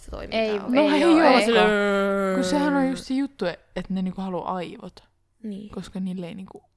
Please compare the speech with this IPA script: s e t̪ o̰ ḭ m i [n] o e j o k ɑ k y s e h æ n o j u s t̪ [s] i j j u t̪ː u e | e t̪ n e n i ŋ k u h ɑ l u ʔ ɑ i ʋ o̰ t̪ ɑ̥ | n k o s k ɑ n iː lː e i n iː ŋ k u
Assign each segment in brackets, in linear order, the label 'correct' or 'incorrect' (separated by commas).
correct, correct